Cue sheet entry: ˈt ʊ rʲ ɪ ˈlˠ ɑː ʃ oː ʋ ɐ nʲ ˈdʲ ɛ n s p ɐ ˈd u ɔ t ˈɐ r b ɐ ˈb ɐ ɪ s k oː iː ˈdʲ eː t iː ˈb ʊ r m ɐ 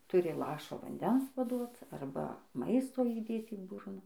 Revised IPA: ˈt ʊ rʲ ɪ ˈlˠ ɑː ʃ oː ʋ ɐ nʲ ˈdʲ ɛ n s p ɐ ˈd u ɔ t ˈɐ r b ɐ ˈm ɐ ɪ s t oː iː ˈdʲ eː t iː ˈb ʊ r n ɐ